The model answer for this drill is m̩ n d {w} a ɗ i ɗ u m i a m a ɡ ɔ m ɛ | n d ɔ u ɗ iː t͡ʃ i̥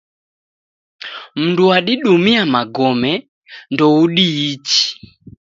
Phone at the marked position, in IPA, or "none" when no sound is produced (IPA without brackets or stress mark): u